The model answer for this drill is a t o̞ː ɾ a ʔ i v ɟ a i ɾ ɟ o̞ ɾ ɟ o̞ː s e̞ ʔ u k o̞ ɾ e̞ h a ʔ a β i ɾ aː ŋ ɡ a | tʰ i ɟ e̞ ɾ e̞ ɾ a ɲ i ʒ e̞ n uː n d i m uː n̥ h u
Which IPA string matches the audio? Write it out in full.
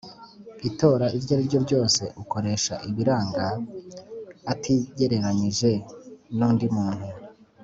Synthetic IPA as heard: i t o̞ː ɾ a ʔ i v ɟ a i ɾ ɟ o̞ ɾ ɟ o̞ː s e̞ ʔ u k o̞ ɾ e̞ ʃ a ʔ i β i ɾ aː ŋ ɡ a | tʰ i ɟ e̞ ɾ e̞ ɾ a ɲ i ʒ e̞ n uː n d i m uː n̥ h u